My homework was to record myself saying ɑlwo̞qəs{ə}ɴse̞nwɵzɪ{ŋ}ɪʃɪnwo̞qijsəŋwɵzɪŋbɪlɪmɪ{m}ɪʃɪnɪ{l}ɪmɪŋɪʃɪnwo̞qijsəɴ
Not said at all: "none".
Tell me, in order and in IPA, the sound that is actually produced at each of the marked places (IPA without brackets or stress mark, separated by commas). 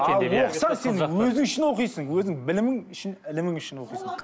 ɑ, ŋ, ŋ, l